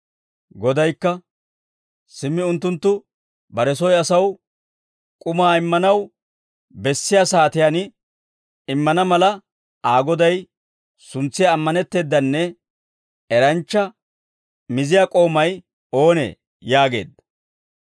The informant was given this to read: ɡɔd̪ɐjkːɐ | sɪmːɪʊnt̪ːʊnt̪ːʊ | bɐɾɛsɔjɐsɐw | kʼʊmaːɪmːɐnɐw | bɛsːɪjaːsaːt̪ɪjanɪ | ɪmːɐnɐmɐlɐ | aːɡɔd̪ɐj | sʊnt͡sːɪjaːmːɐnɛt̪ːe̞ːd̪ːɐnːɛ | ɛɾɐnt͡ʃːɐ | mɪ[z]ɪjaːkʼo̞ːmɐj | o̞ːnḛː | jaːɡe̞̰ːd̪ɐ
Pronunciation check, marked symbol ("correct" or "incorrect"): correct